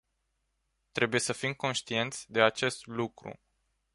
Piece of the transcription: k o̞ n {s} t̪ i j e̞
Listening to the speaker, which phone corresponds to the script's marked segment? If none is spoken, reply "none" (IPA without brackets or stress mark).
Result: ʃ